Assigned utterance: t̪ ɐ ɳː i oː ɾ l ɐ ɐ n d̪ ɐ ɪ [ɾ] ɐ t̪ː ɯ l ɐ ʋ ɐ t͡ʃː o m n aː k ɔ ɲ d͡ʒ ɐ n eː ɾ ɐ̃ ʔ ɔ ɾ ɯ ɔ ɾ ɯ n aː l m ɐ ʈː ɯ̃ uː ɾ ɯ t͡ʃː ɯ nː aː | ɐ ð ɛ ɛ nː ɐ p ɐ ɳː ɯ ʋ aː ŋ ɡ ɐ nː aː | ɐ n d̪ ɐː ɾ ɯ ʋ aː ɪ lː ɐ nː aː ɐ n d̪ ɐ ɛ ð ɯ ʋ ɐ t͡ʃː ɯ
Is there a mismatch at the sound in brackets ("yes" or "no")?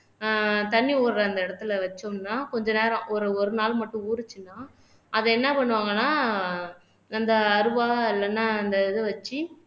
yes